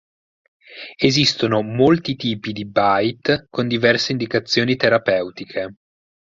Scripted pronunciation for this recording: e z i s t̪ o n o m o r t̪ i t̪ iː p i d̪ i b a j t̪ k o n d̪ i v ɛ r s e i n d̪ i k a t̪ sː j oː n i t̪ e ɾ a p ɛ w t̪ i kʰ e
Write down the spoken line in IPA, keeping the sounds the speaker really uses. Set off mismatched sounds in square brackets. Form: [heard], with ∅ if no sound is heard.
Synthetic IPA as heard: e z i s t̪ o n o m o [l] t̪ i t̪ iː p i d̪ i b a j t̪ k o n d̪ i v ɛ r s e i n d̪ i k a t̪ sː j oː n i t̪ e ɾ a p ɛ w t̪ i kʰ e

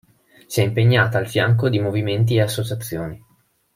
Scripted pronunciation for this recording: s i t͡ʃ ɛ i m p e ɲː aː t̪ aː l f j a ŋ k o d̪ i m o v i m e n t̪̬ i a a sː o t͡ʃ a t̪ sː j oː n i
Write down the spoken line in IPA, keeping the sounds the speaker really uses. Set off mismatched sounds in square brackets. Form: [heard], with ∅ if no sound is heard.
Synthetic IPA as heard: s i [∅] ɛ i m p e ɲː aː t̪ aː l f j a ŋ k o d̪ i m o v i m e n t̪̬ i [e] a sː o t͡ʃ a t̪ sː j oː n i

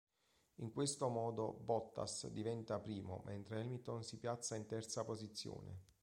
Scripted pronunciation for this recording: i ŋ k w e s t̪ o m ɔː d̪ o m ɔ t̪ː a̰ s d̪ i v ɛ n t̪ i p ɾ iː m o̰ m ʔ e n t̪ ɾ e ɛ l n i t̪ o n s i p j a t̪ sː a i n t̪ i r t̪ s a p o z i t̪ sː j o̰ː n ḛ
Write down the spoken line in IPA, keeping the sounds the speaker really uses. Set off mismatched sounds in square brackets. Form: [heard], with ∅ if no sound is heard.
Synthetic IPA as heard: i ŋ k w e s t̪ o m ɔː d̪ o [b] ɔ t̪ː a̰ s d̪ i v ɛ n t̪ [a] p ɾ iː m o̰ m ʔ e n t̪ ɾ e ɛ l [m] i t̪ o n s i p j a t̪ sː a i n t̪ [ɛ] r t̪ s a p o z i t̪ sː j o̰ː n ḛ

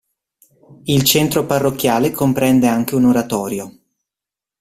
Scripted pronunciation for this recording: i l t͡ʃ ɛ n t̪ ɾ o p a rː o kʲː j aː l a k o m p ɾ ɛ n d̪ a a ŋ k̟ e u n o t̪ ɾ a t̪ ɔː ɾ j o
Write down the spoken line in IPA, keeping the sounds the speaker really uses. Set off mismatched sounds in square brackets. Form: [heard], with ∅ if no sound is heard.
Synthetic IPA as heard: i l t͡ʃ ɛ n t̪ ɾ o p a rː o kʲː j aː l [e] k o m p ɾ ɛ n d̪ [e] a ŋ k̟ e u n o [∅] ɾ a t̪ ɔː ɾ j o

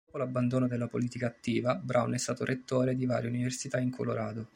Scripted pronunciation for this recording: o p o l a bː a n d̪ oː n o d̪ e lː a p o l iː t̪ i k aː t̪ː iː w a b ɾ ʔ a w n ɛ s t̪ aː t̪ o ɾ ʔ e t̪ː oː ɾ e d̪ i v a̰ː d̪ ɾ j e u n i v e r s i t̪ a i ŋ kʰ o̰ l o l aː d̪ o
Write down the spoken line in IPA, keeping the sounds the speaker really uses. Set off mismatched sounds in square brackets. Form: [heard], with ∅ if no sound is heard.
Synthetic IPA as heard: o p o l a bː a n d̪ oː n o d̪ e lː a p o l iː t̪ i k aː t̪ː iː [v] a b ɾ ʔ a w n ɛ s t̪ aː t̪ o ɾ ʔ e t̪ː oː ɾ e d̪ i v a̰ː [∅] ɾ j e u n i v e r s i t̪ a i ŋ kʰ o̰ l o [ɾ] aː d̪ o

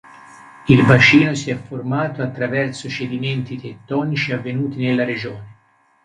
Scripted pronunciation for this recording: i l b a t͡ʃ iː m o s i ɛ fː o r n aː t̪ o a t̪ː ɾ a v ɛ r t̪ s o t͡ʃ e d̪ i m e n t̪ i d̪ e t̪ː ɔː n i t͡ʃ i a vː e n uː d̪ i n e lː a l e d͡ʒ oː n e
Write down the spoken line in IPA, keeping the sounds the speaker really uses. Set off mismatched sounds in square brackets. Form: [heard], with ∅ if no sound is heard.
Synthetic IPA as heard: i l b a t͡ʃ iː [n] o s i ɛ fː o r [m] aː t̪ o a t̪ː ɾ a v ɛ r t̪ s o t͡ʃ e d̪ i m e n t̪ i [t̪] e t̪ː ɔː n i t͡ʃ i a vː e n uː [t̪] i n e lː a [ɾ] e d͡ʒ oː n e

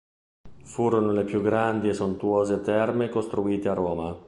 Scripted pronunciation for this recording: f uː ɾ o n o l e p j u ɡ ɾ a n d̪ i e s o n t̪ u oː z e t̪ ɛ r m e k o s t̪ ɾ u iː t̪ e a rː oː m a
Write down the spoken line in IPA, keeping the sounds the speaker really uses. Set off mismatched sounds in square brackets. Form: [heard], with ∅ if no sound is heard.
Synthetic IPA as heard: f uː ɾ o n o l e p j u ɡ ɾ a n d̪ i e s o n t̪ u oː z e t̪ ɛ r m e k o s t̪ ɾ u iː t̪ e a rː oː m a

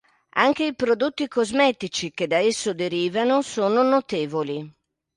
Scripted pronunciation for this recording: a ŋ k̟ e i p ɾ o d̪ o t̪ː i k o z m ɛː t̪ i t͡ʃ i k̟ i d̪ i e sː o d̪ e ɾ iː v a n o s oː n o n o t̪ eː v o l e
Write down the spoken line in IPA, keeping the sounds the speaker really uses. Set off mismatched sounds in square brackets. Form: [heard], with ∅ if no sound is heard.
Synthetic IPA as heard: a ŋ k̟ e i p ɾ o d̪ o t̪ː i k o z m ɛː t̪ i t͡ʃ i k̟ [e] d̪ [a] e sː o d̪ e ɾ iː v a n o s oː n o n o t̪ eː v o l [i]

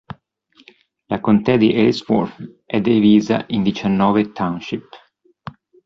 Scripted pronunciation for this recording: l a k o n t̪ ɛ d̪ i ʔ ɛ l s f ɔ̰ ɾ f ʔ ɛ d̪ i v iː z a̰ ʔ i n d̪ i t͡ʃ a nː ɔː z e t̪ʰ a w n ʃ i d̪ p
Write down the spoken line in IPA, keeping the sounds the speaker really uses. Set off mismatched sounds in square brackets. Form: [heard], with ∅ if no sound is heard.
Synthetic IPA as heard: l a k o n t̪ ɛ d̪ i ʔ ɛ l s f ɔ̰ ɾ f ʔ ɛ d̪ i v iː z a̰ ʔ i n d̪ i t͡ʃ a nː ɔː [v] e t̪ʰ a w n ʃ i [∅] p

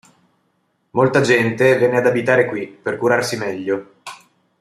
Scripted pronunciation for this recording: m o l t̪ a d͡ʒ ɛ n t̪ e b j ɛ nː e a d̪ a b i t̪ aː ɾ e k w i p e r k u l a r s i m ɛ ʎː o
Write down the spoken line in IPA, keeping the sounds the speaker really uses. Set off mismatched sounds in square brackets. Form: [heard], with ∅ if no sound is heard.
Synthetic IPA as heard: m o l t̪ a d͡ʒ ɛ n t̪ e [v] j ɛ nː e a d̪ a b i t̪ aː ɾ e k w i p e r k u [ɾ] a r s i m ɛ ʎː o

